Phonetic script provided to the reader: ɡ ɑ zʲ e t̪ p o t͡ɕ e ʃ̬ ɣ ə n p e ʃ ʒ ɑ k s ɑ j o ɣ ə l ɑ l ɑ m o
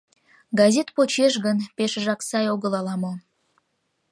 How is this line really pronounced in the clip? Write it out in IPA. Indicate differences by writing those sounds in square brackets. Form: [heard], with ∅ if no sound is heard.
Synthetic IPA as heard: ɡ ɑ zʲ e t̪ p o t͡ɕ e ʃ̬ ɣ ə n p e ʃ ʒ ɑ k s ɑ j o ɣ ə l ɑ l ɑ m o